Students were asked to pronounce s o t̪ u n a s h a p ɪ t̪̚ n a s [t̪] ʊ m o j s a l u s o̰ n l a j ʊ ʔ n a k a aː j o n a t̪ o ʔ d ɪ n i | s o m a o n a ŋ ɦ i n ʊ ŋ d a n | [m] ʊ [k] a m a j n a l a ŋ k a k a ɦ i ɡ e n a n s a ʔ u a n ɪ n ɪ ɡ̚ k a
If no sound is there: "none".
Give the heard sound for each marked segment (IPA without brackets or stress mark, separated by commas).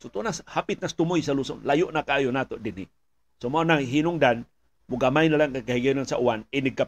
t̪, m, ɡ